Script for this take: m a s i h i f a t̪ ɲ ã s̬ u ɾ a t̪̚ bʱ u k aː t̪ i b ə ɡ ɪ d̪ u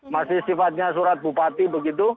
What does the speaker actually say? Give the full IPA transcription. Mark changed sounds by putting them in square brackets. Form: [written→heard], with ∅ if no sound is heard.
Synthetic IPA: m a s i [h→s] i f a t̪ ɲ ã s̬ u ɾ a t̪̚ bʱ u [k→p] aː t̪ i b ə ɡ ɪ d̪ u